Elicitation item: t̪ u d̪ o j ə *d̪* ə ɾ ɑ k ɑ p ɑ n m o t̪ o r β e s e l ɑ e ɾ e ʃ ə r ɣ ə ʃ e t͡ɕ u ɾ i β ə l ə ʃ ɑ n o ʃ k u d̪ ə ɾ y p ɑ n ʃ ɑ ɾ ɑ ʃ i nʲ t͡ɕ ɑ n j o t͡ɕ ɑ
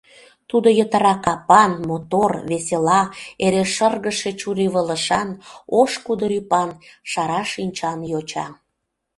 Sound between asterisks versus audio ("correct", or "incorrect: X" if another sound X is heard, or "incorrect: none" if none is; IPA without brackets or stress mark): incorrect: t̪